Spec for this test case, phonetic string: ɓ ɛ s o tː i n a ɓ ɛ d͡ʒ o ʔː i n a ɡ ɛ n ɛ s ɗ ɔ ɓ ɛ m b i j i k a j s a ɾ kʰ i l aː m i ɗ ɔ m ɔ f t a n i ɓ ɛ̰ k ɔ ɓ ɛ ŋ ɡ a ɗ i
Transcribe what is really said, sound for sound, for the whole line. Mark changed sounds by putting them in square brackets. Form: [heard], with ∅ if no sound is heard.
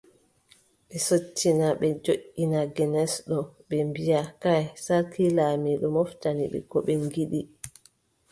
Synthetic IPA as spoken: ɓ ɛ s o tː i n a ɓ ɛ d͡ʒ o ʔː i n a ɡ ɛ n ɛ s ɗ ɔ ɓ ɛ m b i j [a] k a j s a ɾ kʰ i l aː m i ɗ ɔ m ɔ f t a n i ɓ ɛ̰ k ɔ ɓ ɛ ŋ ɡ [i] ɗ i

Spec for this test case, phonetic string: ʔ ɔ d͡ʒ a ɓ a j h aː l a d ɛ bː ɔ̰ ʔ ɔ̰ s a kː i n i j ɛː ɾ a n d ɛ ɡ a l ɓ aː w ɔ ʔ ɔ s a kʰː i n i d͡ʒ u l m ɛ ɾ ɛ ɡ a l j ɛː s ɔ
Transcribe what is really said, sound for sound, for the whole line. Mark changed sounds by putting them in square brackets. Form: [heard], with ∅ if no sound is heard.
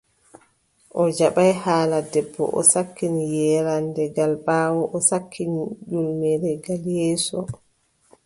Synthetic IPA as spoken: ʔ ɔ d͡ʒ a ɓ a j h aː l a d ɛ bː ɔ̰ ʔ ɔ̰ s a kː i n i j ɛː ɾ a n d ɛ ɡ a l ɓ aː w ɔ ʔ ɔ s a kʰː i n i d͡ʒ u l m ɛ ɾ ɛ ɡ a l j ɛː s ɔ

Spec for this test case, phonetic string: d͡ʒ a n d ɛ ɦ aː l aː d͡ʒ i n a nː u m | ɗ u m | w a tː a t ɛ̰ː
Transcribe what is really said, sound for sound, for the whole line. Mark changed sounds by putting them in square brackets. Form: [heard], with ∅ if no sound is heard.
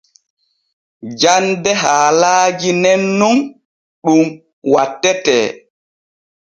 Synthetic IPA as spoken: d͡ʒ a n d ɛ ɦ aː l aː d͡ʒ i n [ɛ] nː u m | ɗ u m | w a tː [ɛ] t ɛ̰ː

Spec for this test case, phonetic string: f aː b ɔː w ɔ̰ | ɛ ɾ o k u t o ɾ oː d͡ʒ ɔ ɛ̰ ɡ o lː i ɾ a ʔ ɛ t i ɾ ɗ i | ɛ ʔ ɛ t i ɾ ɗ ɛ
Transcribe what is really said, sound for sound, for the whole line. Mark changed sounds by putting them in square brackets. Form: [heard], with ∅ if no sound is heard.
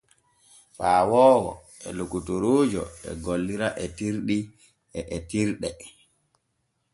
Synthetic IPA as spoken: f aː [w] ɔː w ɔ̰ | ɛ [l] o k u t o ɾ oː d͡ʒ ɔ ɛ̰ ɡ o lː i ɾ a ʔ ɛ t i ɾ ɗ i | ɛ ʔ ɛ t i ɾ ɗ ɛ

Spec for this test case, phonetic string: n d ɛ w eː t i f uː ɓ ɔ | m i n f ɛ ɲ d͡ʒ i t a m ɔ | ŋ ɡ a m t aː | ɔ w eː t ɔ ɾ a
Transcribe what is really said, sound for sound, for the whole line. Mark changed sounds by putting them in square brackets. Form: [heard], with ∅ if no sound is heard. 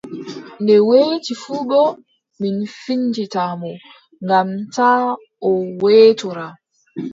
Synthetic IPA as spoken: n d ɛ w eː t i f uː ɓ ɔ | m i n f [i] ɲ d͡ʒ i t a m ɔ | ŋ ɡ a m t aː | ɔ w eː t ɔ ɾ a

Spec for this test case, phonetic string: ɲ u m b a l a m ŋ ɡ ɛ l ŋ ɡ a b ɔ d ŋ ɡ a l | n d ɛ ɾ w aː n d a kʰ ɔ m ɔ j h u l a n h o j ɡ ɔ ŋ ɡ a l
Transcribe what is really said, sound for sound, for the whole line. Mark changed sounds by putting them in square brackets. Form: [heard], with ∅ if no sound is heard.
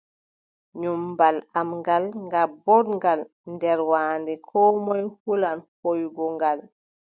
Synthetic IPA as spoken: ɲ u m b a l a m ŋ ɡ [a] l ŋ ɡ a b ɔ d ŋ ɡ a l | n d ɛ ɾ w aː n d [ɛ] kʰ ɔ m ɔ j h u l a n h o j ɡ ɔ ŋ ɡ a l

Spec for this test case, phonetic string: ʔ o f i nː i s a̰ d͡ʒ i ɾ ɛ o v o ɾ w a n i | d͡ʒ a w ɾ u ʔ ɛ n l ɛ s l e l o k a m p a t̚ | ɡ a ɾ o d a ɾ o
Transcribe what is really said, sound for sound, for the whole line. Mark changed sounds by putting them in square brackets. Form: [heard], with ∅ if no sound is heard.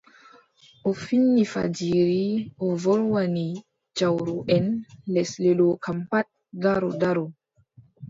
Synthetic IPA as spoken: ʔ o f i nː i [f] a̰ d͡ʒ i ɾ [i] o v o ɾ w a n i | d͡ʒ a w ɾ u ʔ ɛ n l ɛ s l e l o k a m p a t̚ | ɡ a ɾ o d a ɾ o

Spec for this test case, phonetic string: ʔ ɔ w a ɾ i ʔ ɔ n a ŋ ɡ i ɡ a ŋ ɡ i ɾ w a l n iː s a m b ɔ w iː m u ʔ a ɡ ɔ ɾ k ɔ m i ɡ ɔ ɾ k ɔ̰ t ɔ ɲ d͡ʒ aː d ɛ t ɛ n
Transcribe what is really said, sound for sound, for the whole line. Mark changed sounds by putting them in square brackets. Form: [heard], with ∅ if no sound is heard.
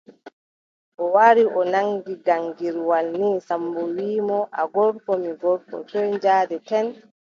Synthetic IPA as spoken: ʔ ɔ w a ɾ i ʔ ɔ n a ŋ ɡ i ɡ a ŋ ɡ i ɾ w a l n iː s a m b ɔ w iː m [ɔ] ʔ a ɡ ɔ ɾ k ɔ m i ɡ ɔ ɾ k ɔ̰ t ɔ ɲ d͡ʒ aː d ɛ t ɛ n

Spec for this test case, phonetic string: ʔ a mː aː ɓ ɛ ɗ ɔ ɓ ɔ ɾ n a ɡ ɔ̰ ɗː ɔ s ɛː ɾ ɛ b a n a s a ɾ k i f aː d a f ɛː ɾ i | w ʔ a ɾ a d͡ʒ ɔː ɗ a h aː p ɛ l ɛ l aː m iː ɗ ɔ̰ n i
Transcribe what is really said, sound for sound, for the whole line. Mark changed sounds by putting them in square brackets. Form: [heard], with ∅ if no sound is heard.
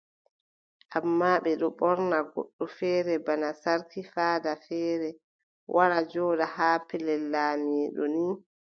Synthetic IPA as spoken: ʔ a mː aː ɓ ɛ ɗ ɔ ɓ ɔ ɾ n a ɡ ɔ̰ ɗː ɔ [f] ɛː ɾ ɛ b a n a s a ɾ k i f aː d a f ɛː ɾ [ɛ] | w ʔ a ɾ a d͡ʒ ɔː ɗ a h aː p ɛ l ɛ l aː m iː ɗ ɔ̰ n i

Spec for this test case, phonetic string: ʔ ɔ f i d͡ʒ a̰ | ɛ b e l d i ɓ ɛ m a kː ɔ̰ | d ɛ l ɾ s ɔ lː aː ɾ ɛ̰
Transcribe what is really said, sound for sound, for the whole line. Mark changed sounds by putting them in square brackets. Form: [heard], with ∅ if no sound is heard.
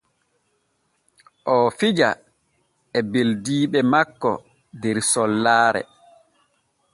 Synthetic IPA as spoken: ʔ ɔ f i d͡ʒ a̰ | ɛ b e l d [iː] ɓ ɛ m a kː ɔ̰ | d ɛ [∅] ɾ s ɔ lː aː ɾ ɛ̰

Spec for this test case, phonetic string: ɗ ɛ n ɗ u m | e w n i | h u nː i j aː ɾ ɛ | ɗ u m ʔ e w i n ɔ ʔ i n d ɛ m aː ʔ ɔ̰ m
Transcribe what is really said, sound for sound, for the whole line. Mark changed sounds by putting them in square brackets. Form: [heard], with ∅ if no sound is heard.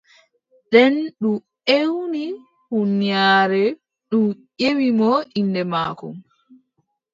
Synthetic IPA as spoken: ɗ ɛ n ɗ u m | e w n i | h u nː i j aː ɾ ɛ | ɗ u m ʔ e w i [m] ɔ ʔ i n d ɛ m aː [k] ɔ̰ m

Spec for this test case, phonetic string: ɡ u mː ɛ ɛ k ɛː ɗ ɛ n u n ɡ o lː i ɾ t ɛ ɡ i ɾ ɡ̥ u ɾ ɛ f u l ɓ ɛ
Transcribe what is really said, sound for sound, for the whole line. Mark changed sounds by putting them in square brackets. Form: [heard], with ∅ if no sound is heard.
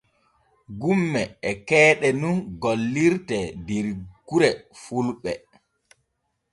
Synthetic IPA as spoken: ɡ u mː ɛ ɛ k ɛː ɗ ɛ n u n ɡ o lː i ɾ t ɛ [d] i ɾ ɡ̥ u ɾ ɛ f u l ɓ ɛ

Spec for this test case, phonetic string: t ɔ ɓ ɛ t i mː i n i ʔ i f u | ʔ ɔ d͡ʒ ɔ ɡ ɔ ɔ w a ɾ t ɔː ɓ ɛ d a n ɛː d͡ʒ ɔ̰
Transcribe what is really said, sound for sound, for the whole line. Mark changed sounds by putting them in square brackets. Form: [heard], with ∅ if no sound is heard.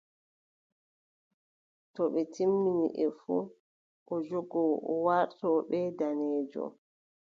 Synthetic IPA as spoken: t ɔ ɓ ɛ t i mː i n i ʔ [ɛ] f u | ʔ ɔ d͡ʒ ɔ ɡ ɔ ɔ w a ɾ t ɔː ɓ ɛ d a n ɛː d͡ʒ ɔ̰

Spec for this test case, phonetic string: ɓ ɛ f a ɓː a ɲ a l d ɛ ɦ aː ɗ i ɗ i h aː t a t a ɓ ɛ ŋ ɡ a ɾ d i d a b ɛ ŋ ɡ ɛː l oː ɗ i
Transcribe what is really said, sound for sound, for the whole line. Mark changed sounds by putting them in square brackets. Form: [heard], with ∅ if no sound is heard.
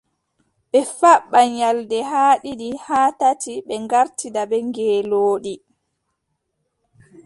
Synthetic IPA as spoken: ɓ ɛ f a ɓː a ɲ a l d ɛ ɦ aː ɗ i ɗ i h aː t a t [i] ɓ ɛ ŋ ɡ a ɾ [t] i d a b ɛ ŋ ɡ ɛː l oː ɗ i

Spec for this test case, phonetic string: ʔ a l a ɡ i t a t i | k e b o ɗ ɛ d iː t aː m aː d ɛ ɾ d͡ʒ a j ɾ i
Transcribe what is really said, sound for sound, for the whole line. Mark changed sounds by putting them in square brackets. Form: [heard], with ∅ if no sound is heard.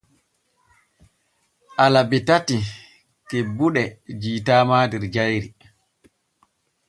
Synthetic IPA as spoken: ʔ a l a [b] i t a t i | k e b [u] ɗ ɛ [d͡ʒ] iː t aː m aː d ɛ ɾ d͡ʒ a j ɾ i

